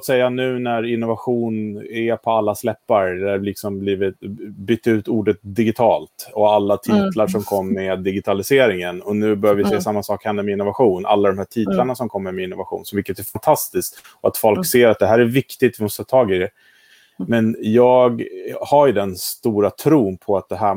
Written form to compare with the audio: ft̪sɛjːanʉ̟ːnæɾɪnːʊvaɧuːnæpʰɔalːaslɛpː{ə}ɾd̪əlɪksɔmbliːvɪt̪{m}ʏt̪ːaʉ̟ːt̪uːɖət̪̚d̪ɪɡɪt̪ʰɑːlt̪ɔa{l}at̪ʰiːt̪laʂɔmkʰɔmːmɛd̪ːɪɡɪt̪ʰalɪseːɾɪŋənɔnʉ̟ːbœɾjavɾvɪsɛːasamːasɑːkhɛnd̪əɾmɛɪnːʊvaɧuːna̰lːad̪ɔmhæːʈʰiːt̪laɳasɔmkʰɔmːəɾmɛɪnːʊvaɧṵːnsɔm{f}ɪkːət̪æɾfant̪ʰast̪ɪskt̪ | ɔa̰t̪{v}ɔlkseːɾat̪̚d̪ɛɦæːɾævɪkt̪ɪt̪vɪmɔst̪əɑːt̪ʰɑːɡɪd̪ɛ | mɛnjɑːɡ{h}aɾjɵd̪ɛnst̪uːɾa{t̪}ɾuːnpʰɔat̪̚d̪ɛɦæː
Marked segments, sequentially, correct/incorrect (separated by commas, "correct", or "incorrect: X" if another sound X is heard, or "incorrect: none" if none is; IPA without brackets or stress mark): incorrect: a, incorrect: b, incorrect: lː, incorrect: v, incorrect: f, correct, incorrect: t̪ʰ